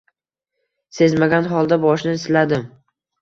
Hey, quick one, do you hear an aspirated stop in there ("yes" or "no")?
no